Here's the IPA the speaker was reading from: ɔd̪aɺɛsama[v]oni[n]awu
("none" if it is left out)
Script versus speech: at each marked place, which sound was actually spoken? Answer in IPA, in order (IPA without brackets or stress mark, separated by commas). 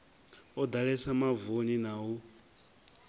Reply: v, n